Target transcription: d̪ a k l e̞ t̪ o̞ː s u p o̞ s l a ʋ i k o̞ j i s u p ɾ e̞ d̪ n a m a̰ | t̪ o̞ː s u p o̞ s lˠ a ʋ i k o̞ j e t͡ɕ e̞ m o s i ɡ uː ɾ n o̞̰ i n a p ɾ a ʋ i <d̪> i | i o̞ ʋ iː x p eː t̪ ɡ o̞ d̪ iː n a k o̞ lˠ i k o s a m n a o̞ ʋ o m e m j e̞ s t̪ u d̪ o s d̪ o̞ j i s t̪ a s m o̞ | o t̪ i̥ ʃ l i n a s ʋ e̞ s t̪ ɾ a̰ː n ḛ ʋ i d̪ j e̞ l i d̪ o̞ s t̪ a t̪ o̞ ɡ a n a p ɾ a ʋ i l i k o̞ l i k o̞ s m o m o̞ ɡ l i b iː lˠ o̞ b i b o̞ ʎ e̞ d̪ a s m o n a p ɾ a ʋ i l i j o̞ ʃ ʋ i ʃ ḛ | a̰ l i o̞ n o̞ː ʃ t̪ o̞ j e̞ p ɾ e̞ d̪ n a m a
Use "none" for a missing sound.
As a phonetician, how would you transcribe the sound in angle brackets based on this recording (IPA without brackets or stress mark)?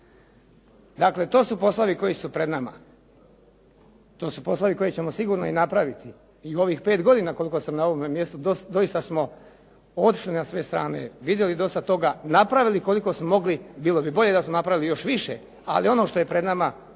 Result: t̪